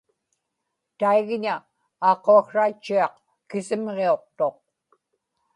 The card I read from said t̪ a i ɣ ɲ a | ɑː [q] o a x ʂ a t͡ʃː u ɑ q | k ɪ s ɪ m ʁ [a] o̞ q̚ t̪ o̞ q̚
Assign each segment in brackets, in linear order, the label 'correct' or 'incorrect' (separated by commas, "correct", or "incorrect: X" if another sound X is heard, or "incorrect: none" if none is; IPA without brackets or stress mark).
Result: correct, incorrect: e